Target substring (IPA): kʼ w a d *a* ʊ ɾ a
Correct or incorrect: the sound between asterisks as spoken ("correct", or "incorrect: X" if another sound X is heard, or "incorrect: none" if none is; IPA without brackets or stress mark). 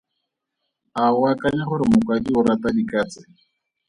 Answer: incorrect: i